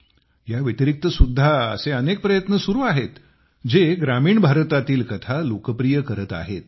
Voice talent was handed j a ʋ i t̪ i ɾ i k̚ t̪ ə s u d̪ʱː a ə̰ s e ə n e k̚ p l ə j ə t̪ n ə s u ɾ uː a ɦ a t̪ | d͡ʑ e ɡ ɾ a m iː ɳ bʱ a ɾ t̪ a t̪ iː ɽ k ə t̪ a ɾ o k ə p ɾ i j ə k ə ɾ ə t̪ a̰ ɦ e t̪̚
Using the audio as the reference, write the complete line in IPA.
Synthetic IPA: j a ʋ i t̪ i ɾ i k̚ t̪ ə s u d̪ʱː a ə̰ s e ə n e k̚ p ɾ ə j ə t̪ n ə s u ɾ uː a ɦ e t̪ | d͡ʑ e ɡ ɾ a m iː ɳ bʱ a ɾ t̪ a t̪ iː l k ə t̪ʰ a l o k ə p ɾ i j ə k ə ɾ ə t̪ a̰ ɦ e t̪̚